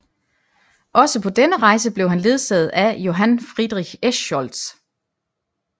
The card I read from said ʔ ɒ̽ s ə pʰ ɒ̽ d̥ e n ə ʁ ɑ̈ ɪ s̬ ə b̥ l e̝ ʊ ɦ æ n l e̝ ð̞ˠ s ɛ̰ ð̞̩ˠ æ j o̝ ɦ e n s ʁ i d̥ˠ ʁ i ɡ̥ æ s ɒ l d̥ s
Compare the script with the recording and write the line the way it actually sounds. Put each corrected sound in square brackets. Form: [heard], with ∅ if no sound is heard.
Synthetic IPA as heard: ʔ ɒ̽ s ə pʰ ɒ̽ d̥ e n ə ʁ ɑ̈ ɪ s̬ ə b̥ l e̝ ʊ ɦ æ n l e̝ ð̞ˠ s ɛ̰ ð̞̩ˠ æ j o̝ ɦ [æ] n [f] ʁ i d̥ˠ ʁ i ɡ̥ [e] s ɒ l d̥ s